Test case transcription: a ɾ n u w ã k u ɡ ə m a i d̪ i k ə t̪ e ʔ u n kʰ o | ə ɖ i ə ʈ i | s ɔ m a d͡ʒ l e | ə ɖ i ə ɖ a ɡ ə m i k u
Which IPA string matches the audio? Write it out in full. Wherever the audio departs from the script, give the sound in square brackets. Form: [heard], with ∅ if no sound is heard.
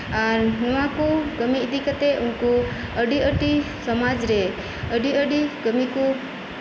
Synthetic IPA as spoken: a ɾ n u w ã k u ɡ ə m [i] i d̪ i k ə t̪ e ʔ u n [k] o | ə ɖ i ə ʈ i | s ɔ m a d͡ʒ [ɾ] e | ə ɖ i ə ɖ [i] ɡ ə m i k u